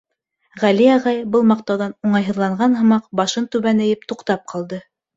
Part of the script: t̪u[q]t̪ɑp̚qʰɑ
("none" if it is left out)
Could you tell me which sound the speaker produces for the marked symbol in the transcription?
q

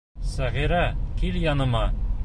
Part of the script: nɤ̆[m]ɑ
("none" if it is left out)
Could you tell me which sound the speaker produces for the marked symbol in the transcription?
m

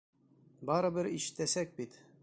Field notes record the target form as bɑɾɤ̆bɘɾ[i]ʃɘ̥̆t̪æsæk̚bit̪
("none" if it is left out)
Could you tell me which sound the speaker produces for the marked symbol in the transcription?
i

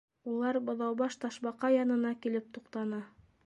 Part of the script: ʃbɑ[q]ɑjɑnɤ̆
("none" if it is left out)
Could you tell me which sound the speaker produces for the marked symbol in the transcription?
q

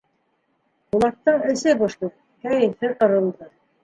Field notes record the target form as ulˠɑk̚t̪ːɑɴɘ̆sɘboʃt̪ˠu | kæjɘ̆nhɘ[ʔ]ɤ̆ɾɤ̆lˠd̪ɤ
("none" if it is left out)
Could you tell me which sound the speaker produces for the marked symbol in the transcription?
q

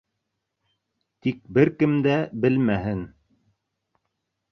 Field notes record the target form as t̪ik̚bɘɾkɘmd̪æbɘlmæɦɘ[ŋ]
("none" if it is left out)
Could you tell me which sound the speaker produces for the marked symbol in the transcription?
n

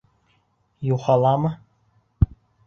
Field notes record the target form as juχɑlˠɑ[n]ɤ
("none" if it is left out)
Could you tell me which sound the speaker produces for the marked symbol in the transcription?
m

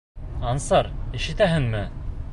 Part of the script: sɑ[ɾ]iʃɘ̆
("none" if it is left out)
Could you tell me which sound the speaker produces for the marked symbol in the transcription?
ɾ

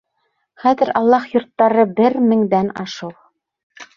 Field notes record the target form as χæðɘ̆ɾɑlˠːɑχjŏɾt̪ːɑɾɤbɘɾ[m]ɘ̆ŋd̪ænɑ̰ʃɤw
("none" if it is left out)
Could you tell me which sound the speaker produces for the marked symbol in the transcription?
m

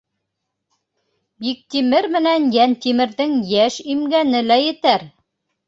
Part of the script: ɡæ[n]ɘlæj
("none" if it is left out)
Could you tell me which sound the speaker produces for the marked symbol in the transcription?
n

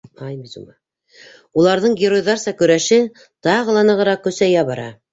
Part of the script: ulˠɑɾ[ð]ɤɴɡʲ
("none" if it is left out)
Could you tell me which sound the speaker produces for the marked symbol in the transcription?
ð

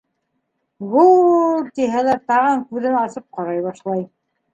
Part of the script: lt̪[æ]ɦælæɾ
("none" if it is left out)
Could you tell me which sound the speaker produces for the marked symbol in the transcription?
i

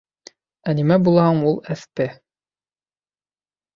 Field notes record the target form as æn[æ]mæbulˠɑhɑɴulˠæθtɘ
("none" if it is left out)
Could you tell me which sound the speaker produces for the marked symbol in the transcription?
i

